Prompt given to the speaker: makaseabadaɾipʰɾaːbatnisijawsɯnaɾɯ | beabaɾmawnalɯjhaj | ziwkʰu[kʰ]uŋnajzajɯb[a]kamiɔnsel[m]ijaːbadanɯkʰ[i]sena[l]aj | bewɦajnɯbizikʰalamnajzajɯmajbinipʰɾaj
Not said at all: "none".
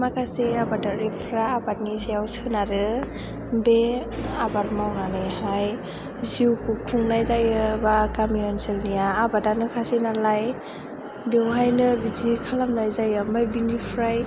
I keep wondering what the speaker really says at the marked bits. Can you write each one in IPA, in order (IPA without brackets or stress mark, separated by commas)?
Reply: kʰ, a, n, a, l